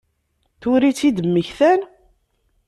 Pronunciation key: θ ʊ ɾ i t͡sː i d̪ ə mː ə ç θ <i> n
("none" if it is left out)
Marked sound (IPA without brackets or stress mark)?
æ